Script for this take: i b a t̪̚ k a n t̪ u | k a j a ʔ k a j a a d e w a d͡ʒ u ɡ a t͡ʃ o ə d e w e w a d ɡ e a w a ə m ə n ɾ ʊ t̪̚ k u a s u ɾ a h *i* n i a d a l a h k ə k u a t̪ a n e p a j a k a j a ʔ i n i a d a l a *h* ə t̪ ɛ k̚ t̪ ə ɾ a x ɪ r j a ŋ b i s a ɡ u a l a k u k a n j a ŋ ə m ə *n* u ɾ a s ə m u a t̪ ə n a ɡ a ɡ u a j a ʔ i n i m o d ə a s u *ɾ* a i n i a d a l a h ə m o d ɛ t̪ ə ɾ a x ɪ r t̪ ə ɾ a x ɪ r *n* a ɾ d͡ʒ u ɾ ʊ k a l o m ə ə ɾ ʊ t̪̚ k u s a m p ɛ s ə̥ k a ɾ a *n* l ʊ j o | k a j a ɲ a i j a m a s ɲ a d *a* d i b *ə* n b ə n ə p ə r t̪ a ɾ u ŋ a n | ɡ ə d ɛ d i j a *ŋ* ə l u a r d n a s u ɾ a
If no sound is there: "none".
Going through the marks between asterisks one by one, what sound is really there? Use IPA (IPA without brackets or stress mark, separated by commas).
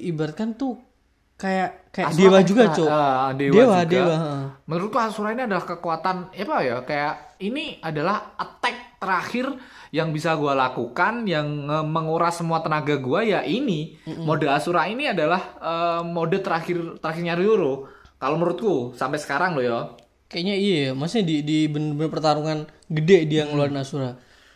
i, h, ŋ, ɾ, ɲ, ŋ, i, ə, ŋ